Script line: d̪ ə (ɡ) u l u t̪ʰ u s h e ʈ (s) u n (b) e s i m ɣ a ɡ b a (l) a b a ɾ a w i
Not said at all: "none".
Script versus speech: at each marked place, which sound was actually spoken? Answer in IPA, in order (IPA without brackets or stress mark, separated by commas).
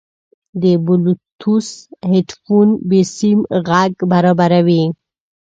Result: b, f, b, ɾ